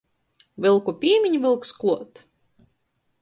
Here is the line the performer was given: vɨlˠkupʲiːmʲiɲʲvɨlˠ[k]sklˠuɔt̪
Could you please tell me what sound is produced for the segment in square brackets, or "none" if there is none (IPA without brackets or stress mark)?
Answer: k